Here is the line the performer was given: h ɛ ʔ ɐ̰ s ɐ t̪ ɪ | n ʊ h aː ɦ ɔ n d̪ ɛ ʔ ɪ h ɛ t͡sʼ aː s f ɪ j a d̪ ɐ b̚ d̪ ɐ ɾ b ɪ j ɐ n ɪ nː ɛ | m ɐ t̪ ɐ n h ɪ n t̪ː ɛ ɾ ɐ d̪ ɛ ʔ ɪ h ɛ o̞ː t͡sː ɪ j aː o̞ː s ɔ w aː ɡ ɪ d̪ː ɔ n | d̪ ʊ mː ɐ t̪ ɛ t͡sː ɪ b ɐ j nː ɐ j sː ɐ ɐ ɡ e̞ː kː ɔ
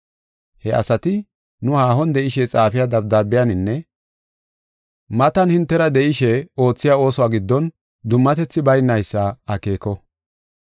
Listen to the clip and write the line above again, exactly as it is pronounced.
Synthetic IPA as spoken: h ɛ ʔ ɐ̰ s ɐ t̪ ɪ | n ʊ h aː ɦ ɔ n d̪ ɛ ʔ ɪ ʃ ɛ t͡sʼ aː f ɪ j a d̪ ɐ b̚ d̪ ɐ ɾ b ɪ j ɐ n ɪ nː ɛ | m ɐ t̪ ɐ n h ɪ n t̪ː ɛ ɾ ɐ d̪ ɛ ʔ ɪ ʃ ɛ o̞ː t͡sː ɪ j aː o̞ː s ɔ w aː ɡ ɪ d̪ː ɔ n | d̪ ʊ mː ɐ t̪ ɛ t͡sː ɪ b ɐ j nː ɐ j sː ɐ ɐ k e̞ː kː ɔ